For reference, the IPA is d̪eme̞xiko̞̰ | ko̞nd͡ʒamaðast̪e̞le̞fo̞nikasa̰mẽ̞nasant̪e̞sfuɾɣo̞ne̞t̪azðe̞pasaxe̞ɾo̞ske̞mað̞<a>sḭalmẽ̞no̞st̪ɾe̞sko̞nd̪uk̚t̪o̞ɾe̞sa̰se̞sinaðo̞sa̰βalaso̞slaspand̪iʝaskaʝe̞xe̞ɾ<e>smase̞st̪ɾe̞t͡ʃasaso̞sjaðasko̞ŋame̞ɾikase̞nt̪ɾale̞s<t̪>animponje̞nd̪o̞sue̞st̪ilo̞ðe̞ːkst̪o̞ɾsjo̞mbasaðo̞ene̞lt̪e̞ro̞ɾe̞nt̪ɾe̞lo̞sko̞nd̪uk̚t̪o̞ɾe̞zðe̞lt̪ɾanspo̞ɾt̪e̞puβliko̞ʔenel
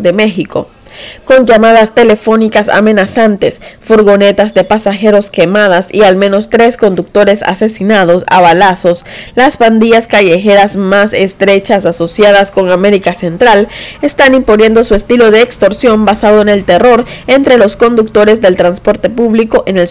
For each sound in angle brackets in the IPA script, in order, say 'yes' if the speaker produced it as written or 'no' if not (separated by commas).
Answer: yes, no, yes